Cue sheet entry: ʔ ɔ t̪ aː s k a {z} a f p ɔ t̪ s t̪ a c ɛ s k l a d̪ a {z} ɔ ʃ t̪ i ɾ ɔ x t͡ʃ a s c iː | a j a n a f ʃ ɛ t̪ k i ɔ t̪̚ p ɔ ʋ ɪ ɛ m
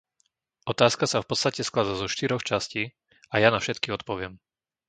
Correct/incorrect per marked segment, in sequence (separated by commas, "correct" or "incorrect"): incorrect, correct